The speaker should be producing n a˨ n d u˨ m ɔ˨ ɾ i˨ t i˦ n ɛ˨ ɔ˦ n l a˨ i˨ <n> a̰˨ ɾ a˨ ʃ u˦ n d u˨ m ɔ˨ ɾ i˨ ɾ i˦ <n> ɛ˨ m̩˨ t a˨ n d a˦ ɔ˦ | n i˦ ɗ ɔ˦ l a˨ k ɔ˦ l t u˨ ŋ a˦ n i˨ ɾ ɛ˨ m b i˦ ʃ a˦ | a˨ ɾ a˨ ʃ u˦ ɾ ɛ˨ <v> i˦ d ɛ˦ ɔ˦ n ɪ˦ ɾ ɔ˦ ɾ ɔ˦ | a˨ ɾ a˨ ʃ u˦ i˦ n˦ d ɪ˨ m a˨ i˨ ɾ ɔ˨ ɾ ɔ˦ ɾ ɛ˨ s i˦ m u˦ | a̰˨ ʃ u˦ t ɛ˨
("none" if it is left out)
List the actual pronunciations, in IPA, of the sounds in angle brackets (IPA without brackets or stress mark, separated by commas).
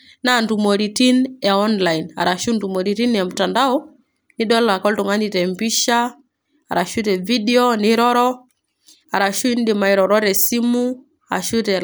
n, n, v